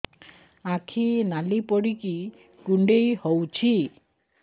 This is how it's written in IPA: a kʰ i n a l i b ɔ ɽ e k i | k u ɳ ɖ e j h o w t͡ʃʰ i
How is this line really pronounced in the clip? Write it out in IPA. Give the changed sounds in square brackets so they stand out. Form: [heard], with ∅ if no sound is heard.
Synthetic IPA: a kʰ i n a l i [p] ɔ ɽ [i] k i | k u ɳ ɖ e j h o w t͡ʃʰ i